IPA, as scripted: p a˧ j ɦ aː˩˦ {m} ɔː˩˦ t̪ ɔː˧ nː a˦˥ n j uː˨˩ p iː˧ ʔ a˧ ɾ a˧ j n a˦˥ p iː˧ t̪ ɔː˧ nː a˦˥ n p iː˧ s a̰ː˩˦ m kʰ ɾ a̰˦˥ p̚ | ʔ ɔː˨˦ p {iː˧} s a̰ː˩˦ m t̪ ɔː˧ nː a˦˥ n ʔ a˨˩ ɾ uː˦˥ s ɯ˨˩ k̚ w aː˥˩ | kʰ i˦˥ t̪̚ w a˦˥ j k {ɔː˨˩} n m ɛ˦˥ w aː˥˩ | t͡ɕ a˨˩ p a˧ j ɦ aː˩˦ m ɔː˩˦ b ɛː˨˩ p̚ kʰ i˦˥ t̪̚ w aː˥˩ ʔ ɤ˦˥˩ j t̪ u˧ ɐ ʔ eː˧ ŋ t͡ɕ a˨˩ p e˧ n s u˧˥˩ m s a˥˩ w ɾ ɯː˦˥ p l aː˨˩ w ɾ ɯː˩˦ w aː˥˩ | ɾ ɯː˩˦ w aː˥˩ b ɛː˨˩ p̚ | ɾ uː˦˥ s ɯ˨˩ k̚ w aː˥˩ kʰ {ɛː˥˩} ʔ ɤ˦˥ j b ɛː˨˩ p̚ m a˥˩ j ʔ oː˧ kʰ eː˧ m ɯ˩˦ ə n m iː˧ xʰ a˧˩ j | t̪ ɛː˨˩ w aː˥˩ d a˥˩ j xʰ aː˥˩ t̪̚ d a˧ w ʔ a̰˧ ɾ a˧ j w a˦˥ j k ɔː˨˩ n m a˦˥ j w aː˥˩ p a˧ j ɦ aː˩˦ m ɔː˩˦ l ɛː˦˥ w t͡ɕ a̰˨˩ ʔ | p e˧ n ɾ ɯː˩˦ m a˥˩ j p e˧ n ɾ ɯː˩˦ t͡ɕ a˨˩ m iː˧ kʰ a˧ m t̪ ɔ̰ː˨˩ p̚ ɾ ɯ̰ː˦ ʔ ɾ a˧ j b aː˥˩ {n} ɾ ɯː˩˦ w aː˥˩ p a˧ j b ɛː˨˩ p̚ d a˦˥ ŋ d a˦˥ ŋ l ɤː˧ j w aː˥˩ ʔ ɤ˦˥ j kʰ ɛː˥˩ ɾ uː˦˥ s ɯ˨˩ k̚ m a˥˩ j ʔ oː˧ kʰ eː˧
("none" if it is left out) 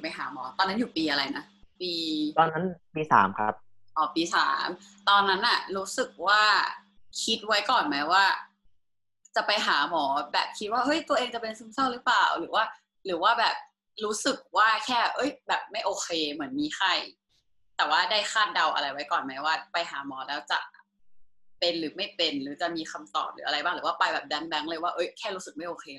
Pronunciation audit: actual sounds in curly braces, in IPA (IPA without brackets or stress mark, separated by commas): m, iː˧, ɔː˨˩, ɛː˥˩, ŋ